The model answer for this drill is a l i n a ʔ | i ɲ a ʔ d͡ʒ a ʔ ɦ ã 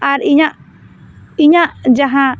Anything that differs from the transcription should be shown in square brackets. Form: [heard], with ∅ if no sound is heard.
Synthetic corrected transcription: a [ɾ] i [ɲ] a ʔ | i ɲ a ʔ d͡ʒ a [∅] ɦ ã

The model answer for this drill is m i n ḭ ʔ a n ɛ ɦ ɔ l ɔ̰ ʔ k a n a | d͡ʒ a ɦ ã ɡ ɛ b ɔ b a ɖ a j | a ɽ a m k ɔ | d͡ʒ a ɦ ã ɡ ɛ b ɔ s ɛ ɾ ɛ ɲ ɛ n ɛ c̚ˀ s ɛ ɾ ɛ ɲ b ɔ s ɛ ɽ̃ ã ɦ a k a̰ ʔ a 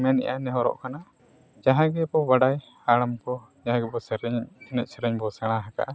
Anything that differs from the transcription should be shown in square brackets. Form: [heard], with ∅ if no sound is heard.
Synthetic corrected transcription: m [ɛ] n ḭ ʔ a n ɛ ɦ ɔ [ɾ] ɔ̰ ʔ k a n a | d͡ʒ a ɦ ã ɡ ɛ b ɔ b a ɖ a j | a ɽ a m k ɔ | d͡ʒ a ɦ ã ɡ ɛ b ɔ s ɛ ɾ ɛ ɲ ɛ n ɛ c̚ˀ s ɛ ɾ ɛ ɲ b ɔ s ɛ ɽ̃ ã ɦ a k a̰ ʔ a

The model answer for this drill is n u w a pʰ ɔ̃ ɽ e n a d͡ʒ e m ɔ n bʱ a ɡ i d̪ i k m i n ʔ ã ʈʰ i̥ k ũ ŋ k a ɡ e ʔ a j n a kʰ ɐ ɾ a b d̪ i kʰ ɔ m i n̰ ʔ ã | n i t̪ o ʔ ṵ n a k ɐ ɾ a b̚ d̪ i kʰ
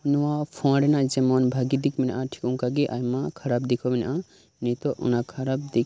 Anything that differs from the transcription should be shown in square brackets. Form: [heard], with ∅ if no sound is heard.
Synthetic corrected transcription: n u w a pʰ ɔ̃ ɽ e n a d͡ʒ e m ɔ n bʱ a ɡ i d̪ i k m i n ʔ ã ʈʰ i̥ k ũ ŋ k a ɡ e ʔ a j [m] a kʰ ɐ ɾ a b d̪ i kʰ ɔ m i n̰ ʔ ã | n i t̪ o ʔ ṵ n a [kʰ] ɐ ɾ a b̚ d̪ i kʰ

